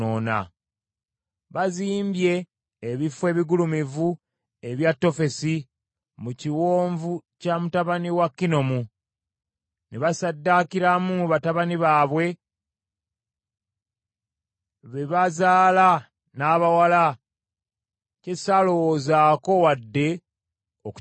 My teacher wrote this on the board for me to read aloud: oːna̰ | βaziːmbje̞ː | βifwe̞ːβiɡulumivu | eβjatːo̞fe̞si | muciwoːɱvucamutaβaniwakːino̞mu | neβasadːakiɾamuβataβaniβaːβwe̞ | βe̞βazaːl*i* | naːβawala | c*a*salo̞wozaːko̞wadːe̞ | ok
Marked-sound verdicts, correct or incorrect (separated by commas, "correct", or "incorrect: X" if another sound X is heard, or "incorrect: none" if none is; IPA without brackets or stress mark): incorrect: a, incorrect: e